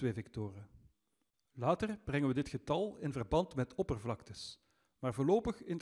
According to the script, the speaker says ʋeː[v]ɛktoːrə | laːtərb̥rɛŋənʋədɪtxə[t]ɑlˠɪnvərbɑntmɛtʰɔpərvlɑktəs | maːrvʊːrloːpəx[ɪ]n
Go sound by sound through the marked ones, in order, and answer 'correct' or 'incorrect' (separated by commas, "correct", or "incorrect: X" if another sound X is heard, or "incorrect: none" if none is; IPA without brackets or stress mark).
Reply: correct, correct, correct